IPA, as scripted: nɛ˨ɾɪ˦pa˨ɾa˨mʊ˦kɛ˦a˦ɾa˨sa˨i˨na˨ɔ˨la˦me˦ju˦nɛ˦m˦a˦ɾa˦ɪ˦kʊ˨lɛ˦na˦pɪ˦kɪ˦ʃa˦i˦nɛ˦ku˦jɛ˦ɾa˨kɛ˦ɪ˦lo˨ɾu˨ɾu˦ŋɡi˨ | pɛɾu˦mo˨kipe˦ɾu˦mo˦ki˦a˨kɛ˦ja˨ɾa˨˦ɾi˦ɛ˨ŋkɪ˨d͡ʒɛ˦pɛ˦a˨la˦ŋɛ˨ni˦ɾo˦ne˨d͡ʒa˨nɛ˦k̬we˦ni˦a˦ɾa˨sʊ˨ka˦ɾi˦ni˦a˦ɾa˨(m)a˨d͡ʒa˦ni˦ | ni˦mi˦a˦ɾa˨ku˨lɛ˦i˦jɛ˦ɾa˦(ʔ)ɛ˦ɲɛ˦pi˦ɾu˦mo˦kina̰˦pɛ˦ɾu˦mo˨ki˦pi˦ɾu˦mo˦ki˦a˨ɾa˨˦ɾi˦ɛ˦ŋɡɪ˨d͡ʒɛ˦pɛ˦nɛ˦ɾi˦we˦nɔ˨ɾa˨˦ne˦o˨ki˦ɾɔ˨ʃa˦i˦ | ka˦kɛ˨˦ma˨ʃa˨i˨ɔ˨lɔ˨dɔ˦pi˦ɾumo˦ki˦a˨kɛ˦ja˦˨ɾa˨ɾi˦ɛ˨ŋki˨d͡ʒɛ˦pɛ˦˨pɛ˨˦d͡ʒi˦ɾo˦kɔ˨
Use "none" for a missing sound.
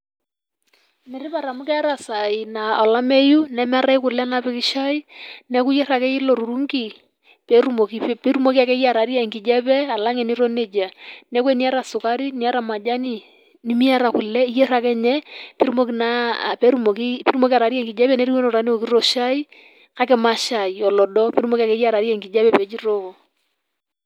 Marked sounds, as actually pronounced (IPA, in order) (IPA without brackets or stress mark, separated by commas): m, k